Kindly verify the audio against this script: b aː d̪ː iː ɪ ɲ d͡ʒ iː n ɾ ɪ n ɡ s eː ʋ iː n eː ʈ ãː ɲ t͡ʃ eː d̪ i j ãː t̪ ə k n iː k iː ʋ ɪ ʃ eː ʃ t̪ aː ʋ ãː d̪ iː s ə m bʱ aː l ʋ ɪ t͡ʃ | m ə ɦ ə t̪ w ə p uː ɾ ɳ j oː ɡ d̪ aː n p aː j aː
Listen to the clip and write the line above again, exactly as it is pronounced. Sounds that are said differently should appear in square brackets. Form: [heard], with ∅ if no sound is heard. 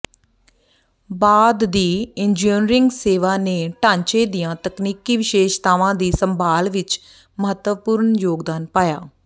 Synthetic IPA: b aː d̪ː iː ɪ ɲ d͡ʒ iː n ɾ ɪ [ŋ] ɡ s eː ʋ [aː] n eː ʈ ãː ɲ t͡ʃ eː d̪ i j ãː t̪ ə k n iː k iː ʋ ɪ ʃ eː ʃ t̪ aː ʋ ãː d̪ iː s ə m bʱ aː l ʋ ɪ t͡ʃ | m ə ɦ ə t̪ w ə p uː ɾ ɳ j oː ɡ d̪ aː n p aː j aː

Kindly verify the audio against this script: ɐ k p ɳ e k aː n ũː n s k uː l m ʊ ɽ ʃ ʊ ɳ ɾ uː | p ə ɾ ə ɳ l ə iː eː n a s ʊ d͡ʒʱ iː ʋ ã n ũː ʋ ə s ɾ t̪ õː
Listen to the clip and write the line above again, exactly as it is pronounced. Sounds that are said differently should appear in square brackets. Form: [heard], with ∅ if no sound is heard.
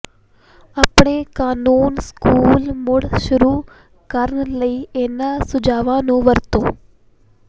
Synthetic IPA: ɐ [∅] p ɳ e k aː n [uː] n s k uː l m ʊ ɽ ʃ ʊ [∅] ɾ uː | [k] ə ɾ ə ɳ l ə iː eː n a s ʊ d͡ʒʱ [aː] ʋ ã n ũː ʋ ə [∅] ɾ t̪ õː

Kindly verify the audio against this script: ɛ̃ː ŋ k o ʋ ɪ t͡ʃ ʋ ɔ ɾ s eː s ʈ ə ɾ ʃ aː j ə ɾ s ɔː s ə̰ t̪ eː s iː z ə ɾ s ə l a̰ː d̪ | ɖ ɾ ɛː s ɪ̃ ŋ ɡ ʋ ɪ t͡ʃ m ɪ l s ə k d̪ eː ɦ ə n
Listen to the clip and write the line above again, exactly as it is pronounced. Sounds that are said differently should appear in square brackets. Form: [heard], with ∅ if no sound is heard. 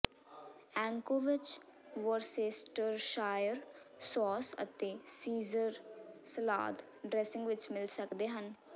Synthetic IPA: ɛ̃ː ŋ k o ʋ ɪ t͡ʃ ʋ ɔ ɾ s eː s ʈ ə ɾ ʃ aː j ə ɾ s ɔː s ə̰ t̪ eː s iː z ə ɾ s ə l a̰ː d̪ | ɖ ɾ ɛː s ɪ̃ ŋ ɡ ʋ ɪ t͡ʃ m ɪ l s ə k d̪ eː ɦ ə n

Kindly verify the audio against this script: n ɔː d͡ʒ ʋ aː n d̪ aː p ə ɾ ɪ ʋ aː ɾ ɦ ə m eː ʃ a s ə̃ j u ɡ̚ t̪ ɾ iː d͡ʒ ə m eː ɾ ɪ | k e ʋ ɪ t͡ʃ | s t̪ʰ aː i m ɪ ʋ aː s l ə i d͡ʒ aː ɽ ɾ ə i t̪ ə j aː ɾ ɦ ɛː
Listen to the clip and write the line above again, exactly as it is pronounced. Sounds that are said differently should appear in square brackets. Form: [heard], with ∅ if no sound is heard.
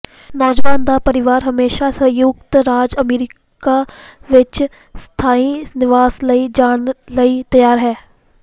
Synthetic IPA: n ɔː d͡ʒ ʋ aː n d̪ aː p ə ɾ ɪ ʋ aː ɾ ɦ ə m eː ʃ a s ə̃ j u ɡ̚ t̪ ɾ [aː] d͡ʒ ə m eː ɾ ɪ | k [a] ʋ ɪ t͡ʃ | s t̪ʰ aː i [n] ɪ ʋ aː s l ə i d͡ʒ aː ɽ [l] ə i t̪ ə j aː ɾ ɦ ɛː

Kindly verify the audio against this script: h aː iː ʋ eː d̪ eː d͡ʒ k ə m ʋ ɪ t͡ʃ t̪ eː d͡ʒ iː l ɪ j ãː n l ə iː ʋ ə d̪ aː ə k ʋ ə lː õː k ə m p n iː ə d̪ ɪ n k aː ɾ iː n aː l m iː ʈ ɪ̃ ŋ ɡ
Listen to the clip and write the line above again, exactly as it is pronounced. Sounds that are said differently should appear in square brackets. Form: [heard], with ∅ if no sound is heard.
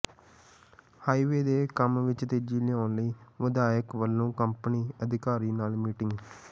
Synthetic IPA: h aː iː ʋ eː d̪ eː [∅] k ə m ʋ ɪ t͡ʃ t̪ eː d͡ʒ iː l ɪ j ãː n l ə iː ʋ ə d̪ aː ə k ʋ ə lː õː k ə m p n iː ə d̪ ɪ [∅] k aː ɾ iː n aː l m iː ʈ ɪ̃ ŋ ɡ

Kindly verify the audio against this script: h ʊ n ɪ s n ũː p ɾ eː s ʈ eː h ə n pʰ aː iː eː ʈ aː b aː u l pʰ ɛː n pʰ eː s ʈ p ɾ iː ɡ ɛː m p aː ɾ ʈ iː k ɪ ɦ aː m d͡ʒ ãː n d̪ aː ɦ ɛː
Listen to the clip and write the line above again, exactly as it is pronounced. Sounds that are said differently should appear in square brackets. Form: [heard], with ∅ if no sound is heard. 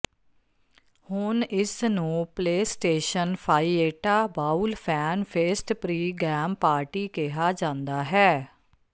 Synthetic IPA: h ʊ n ɪ s n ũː p [l] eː s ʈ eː [ʃ] ə n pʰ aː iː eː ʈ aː b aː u l pʰ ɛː n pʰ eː s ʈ p ɾ iː ɡ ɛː m p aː ɾ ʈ iː k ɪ ɦ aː [∅] d͡ʒ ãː n d̪ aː ɦ ɛː

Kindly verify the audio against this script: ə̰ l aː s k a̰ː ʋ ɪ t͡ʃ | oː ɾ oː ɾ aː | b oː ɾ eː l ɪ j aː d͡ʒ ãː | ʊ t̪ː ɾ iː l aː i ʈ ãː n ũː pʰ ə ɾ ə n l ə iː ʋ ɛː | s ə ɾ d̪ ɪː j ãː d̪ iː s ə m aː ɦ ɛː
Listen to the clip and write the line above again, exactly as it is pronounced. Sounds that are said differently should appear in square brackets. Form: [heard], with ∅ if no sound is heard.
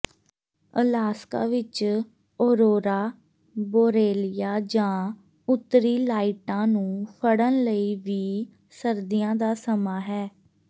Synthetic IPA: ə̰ l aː s k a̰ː ʋ ɪ t͡ʃ | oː ɾ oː ɾ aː | b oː ɾ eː l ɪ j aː d͡ʒ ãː | ʊ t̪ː ɾ iː l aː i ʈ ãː n ũː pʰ ə [ɽ] ə n l ə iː ʋ [iː] | s ə ɾ d̪ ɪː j ãː d̪ [aː] s ə m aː ɦ ɛː

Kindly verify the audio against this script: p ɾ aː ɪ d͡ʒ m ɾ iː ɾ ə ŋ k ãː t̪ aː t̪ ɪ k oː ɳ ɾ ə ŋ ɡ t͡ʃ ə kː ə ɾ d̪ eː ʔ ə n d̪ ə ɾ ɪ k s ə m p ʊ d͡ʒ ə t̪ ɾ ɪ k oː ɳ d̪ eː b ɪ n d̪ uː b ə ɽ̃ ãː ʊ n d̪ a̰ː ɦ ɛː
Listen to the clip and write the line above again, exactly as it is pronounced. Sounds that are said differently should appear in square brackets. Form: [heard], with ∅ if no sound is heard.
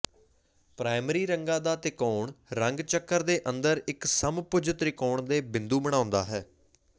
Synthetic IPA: p ɾ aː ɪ [∅] m ɾ iː ɾ ə ŋ [ɡ] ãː [d̪] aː t̪ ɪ k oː ɳ ɾ ə ŋ ɡ t͡ʃ ə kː ə ɾ d̪ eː ʔ ə n d̪ ə ɾ ɪ k s ə m p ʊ d͡ʒ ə t̪ ɾ ɪ k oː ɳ d̪ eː b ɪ n d̪ uː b ə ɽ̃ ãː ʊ n d̪ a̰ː ɦ ɛː

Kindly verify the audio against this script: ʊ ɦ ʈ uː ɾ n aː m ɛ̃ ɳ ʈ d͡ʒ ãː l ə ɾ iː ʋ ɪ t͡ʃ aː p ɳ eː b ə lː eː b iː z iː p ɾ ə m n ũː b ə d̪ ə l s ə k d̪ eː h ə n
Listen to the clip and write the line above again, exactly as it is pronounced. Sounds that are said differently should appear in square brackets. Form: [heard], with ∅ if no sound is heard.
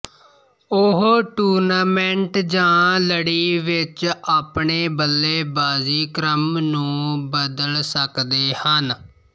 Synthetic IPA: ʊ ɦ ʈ uː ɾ n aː m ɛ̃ ɳ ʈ d͡ʒ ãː l ə [ɽ] iː ʋ ɪ t͡ʃ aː p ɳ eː b ə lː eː b [aː] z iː [k] ɾ ə m n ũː b ə d̪ ə l s ə k d̪ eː h ə n

